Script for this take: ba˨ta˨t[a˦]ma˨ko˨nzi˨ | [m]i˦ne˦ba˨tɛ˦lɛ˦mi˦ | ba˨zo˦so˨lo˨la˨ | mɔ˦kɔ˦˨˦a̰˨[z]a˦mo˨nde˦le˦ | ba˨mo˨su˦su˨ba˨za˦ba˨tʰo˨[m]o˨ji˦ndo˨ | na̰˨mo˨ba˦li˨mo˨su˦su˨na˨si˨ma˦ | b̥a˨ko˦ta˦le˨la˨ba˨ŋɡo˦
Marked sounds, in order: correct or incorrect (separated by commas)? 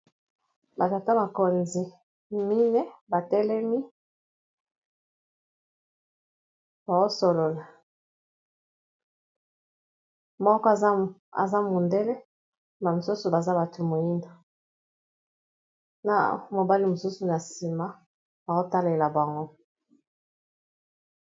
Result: correct, correct, correct, correct